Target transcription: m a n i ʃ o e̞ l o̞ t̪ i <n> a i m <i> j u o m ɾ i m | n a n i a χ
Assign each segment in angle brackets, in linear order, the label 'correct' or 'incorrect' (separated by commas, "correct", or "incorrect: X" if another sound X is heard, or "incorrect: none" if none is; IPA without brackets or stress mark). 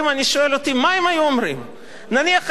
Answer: incorrect: m, incorrect: a